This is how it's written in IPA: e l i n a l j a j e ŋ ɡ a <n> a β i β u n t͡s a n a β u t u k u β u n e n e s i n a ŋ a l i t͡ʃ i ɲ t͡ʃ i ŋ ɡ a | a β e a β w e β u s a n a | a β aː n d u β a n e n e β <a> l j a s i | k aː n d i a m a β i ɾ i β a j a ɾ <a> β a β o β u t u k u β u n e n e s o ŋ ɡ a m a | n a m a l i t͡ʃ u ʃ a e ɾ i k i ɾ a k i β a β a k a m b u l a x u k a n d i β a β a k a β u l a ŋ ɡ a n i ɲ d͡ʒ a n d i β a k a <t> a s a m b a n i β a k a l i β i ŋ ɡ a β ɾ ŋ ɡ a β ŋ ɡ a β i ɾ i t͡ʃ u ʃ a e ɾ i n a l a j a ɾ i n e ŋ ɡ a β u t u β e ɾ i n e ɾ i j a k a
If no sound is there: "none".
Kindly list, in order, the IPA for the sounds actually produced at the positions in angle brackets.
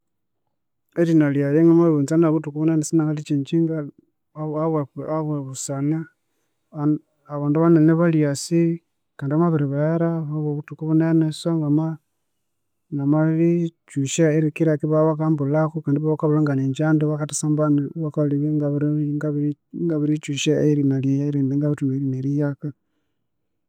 m, a, a, t

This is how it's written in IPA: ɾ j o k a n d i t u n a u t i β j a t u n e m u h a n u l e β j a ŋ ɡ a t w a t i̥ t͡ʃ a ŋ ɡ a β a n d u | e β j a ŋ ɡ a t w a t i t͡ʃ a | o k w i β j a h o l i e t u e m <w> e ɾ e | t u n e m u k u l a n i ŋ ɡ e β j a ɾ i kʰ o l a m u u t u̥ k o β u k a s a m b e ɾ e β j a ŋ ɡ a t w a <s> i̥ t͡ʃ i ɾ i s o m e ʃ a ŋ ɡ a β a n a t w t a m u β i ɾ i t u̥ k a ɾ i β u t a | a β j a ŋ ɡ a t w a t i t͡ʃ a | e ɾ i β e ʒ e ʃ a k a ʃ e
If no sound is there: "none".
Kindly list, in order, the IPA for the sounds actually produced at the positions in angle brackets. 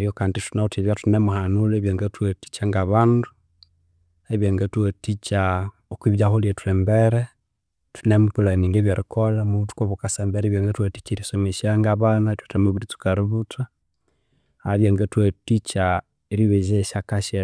b, t

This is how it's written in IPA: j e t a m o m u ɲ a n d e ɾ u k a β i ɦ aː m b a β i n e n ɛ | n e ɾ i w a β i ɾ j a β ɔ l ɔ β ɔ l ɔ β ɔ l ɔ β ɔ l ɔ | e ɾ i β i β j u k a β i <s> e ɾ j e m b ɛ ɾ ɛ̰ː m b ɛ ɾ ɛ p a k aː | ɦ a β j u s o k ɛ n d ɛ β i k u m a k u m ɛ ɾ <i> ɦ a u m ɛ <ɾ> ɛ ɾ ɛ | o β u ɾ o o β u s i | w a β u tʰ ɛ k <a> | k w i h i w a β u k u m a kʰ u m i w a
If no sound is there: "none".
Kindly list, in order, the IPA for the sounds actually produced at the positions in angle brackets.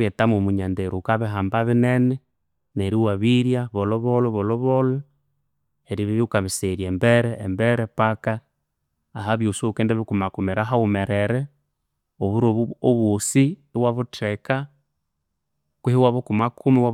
s, a, ɾ, a

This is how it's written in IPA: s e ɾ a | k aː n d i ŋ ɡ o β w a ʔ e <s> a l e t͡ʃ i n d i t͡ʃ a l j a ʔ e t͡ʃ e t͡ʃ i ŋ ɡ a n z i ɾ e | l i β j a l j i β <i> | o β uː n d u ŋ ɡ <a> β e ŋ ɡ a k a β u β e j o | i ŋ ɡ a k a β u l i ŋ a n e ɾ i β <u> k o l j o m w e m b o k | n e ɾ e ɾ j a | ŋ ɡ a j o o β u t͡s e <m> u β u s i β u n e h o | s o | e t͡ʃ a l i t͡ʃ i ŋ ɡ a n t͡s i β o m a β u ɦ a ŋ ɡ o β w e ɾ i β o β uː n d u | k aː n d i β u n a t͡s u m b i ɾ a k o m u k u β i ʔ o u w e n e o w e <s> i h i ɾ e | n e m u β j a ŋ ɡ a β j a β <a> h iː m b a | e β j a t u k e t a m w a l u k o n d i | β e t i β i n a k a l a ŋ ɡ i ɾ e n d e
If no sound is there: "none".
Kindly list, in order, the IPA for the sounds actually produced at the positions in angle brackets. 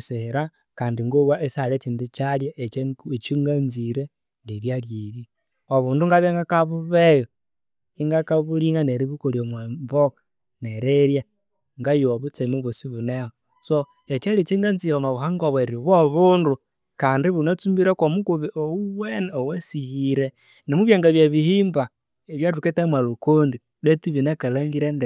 s, i, a, u, m, s, i

